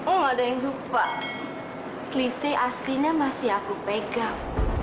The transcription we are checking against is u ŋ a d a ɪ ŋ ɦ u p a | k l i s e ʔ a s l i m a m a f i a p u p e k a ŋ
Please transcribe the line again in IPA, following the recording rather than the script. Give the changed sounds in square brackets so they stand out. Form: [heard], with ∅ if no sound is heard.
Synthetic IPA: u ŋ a d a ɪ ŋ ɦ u p a | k l i s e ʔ a s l i [ɲ] a m a [s] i a [k] u p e [ɡ] a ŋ

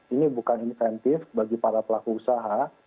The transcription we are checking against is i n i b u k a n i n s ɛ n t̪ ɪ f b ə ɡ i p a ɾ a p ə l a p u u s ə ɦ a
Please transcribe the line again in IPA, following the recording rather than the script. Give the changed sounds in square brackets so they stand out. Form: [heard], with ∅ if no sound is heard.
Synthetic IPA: i n i b u k a n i n [f] ɛ n t̪ ɪ f b [a] ɡ i p a ɾ a p ə l a [k] u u s [a] ɦ a

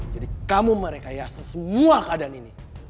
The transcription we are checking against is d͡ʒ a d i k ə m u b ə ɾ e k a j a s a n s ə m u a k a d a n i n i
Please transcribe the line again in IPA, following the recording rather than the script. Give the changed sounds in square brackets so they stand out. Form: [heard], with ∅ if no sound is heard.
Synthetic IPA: d͡ʒ a d i k [a] m u [m] ə ɾ e k a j a s a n s ə m u a k a d a n i n i

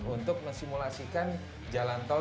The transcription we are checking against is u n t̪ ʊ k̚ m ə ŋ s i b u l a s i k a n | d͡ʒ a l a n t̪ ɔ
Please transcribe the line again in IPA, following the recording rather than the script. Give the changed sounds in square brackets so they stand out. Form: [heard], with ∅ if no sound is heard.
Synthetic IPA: u n t̪ ʊ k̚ m ə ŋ s i [m] u l a s i k a n | d͡ʒ a l a n t̪ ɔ

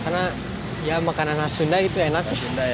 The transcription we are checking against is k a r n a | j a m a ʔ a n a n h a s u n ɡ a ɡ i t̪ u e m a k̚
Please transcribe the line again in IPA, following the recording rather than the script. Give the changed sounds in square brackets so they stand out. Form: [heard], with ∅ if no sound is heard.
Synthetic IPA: k a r n a | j a m a [k] a n a n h a s u n [d] a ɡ i t̪ u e [n] a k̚

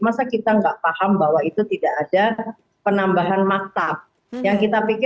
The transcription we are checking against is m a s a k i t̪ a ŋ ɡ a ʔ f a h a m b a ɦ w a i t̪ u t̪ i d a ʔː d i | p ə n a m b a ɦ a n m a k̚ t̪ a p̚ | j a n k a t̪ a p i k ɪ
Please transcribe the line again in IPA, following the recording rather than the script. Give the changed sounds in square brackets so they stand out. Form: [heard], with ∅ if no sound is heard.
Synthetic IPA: m a s a k i t̪ a ŋ ɡ a ʔ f a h a m b a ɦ w a i t̪ u t̪ i d a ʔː d [a] | p ə n a m b a ɦ a n m a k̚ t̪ a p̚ | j a [ŋ] k [i] t̪ a p i k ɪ

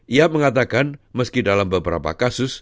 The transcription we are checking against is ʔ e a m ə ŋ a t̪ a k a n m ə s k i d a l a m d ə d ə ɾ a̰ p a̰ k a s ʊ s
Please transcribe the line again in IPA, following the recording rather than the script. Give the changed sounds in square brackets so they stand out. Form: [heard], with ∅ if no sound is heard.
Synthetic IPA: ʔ [i] a m ə ŋ a t̪ a k a n m ə s k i d a l a m [b] ə [b] ə ɾ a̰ p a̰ k a s ʊ s

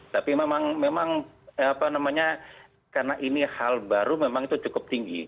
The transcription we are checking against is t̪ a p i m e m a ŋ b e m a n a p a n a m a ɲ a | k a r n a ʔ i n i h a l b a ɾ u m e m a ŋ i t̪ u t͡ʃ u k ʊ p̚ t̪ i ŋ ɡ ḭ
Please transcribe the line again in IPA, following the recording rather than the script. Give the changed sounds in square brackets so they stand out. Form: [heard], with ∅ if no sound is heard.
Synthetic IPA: t̪ a p i m e m a ŋ [m] e m a [ŋ] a p a n a m a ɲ a | k a r n a ʔ i n i h a l b a ɾ u m e m a ŋ i t̪ u t͡ʃ u k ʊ p̚ t̪ i ŋ ɡ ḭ

